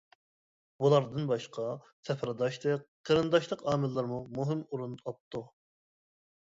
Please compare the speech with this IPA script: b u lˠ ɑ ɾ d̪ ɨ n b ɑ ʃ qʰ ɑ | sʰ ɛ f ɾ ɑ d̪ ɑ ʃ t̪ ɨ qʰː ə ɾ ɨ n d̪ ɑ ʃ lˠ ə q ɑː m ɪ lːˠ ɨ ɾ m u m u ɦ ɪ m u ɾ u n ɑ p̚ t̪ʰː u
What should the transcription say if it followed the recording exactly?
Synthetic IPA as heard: b u lˠ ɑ ɾ d̪ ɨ n b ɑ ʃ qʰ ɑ | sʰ ɛ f ɾ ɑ d̪ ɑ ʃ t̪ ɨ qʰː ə ɾ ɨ n d̪ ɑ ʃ lˠ ə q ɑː m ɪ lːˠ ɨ ɾ m u m u ɦ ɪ m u ɾ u n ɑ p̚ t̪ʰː u